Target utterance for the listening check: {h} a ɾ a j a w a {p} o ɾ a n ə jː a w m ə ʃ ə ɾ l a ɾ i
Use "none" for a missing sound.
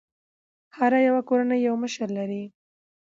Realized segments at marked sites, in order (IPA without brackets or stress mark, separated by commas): h, k